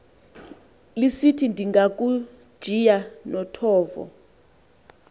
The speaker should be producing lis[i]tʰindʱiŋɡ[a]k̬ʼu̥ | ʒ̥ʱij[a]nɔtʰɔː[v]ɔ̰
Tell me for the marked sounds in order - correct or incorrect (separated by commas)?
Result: correct, correct, correct, correct